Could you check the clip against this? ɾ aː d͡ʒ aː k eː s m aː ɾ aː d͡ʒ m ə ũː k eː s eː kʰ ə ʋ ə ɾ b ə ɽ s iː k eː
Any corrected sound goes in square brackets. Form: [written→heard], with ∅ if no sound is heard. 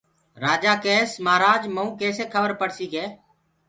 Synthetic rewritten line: ɾ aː d͡ʒ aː k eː s m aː ɾ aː d͡ʒ m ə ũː k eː s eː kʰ ə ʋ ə ɾ [b→p] ə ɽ s iː k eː